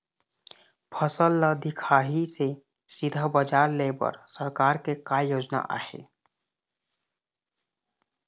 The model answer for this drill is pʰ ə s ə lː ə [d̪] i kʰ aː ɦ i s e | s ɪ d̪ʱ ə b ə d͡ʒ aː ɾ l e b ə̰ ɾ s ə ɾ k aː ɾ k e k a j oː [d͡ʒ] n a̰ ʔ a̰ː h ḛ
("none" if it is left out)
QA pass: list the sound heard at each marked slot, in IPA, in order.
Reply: d̪, d͡ʒ

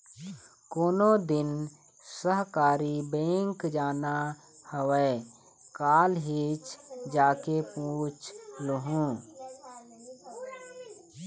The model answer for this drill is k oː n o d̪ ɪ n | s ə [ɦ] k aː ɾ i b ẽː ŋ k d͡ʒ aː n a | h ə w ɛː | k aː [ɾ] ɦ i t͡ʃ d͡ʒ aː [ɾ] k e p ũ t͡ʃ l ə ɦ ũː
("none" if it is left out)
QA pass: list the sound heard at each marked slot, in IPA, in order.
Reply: ɦ, l, none

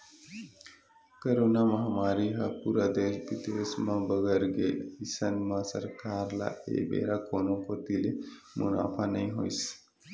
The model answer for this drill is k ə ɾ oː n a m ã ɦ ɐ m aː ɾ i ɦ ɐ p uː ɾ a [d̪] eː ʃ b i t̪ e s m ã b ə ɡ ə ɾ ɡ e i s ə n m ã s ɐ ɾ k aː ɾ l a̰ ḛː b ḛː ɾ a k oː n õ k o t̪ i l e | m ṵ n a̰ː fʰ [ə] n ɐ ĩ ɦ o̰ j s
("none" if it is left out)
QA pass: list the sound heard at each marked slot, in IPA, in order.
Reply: d̪, a

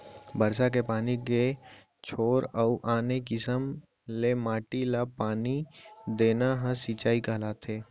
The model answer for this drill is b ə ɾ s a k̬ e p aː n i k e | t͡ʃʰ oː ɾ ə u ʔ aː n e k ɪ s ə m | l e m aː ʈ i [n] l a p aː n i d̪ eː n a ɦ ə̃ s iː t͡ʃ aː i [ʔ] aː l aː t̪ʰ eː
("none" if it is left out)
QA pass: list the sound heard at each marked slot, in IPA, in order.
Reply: none, k

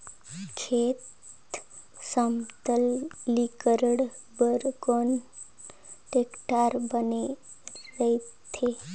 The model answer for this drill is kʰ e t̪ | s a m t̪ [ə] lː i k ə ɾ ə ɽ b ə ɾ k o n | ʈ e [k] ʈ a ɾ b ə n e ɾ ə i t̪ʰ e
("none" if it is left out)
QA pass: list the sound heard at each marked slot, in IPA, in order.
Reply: ə, k

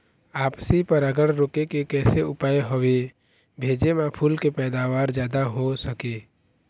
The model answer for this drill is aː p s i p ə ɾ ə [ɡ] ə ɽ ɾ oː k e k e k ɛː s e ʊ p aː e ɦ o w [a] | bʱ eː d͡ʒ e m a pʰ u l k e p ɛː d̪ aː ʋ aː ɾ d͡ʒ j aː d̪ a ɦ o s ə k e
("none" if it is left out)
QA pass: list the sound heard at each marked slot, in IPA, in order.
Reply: ɡ, e

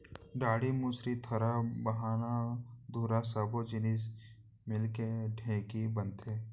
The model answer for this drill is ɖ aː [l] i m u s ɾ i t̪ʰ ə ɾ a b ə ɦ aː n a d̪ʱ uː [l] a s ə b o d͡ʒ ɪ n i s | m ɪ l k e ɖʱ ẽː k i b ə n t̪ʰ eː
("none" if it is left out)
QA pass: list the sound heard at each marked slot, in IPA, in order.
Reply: ɽ, ɾ

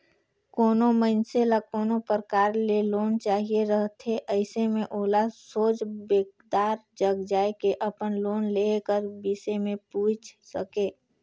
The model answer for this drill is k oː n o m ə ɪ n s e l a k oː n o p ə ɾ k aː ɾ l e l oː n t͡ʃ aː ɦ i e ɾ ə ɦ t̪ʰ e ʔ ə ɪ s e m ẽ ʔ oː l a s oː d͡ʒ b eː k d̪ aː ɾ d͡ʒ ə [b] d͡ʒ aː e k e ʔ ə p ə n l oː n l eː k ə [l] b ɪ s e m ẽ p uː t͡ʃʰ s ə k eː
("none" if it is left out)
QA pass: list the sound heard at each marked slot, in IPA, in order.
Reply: ɡ, ɾ

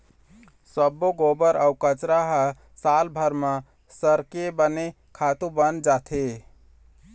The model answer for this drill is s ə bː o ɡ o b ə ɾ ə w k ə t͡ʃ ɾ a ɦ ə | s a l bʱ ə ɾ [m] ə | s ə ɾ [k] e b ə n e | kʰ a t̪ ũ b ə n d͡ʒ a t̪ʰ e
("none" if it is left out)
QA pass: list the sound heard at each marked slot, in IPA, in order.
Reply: m, k

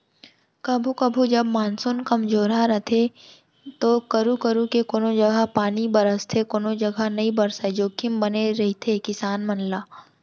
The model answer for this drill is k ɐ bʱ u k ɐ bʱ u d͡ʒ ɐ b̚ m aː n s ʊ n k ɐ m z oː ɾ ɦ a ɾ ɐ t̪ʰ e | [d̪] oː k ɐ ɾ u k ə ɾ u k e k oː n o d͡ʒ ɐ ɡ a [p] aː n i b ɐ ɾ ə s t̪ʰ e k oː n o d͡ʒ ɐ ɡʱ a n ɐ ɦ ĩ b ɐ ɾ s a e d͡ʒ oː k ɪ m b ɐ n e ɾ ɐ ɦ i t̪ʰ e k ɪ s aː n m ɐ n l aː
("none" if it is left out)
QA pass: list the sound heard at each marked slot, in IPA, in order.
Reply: t̪, p

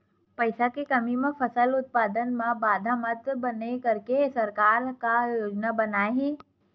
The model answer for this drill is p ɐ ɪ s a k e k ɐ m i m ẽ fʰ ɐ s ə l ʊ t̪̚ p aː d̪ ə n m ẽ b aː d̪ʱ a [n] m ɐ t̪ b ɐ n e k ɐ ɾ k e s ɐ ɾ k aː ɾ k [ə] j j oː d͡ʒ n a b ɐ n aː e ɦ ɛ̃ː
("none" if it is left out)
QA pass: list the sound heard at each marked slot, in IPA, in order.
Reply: none, a

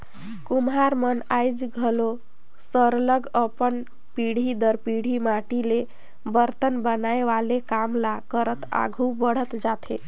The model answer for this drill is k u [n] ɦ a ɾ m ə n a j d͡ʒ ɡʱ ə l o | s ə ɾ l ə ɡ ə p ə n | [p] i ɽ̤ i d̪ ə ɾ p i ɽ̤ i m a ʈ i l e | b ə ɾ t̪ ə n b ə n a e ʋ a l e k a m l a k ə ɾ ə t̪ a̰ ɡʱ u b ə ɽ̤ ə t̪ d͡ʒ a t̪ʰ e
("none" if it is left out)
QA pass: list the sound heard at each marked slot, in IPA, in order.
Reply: m, p

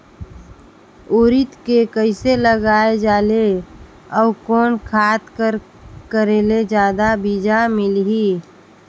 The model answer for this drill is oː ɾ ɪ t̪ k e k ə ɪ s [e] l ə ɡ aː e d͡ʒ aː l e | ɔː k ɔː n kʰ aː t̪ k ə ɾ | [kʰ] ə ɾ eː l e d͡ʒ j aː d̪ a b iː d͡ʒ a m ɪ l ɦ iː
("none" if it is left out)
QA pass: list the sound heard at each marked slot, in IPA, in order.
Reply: e, k

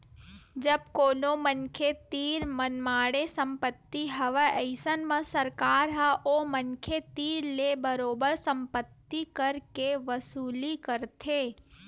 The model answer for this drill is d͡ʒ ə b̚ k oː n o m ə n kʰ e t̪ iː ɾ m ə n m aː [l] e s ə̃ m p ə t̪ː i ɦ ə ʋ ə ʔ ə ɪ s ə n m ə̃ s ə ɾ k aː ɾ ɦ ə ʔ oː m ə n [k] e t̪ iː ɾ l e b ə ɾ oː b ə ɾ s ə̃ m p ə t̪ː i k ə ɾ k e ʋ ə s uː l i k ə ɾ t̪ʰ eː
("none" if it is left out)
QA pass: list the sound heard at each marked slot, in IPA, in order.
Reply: ɽ, kʰ

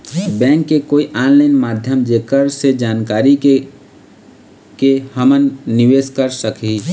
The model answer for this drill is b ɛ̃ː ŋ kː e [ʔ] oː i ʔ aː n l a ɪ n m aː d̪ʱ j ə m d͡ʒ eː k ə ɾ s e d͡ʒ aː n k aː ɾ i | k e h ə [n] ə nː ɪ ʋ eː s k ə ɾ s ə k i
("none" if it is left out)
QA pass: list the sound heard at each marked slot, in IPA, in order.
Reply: k, m

